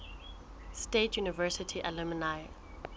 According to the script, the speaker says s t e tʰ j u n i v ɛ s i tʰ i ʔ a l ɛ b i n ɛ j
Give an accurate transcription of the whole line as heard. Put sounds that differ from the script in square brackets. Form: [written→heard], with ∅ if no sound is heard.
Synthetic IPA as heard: s t e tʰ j u n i v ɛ s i tʰ i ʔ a l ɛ [b→m] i n [ɛ→a] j